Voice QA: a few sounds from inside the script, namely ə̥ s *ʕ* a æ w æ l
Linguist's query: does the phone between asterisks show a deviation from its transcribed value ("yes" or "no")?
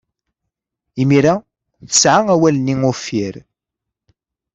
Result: no